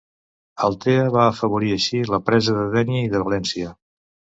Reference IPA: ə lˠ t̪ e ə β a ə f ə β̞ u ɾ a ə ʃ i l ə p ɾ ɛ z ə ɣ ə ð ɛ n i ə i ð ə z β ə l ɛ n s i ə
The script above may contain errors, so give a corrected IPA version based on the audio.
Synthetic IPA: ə lˠ t̪ e ə β a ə f ə β̞ u ɾ i ə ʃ i l ə p ɾ ɛ z ə ð ə ð ɛ n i ə i ð ə β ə l ɛ n s i ə

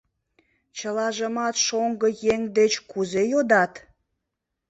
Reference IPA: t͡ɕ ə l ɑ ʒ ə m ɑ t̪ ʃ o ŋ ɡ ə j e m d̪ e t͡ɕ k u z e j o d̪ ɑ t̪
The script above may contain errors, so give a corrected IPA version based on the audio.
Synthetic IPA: t͡ɕ ə l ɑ ʒ ə m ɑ t̪ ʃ o ŋ ɡ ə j e ŋ d̪ e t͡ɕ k u z e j o d̪ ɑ t̪

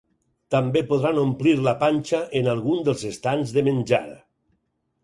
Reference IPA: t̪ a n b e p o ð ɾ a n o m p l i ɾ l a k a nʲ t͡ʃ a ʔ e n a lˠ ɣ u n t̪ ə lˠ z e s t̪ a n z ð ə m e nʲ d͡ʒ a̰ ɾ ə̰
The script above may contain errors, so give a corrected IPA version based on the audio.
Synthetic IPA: t̪ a m b e p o ð ɾ a n o m p l i ɾ l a p a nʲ t͡ʃ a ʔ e n a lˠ ɣ u n d̪ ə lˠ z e s t̪ a n z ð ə m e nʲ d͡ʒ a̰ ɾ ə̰

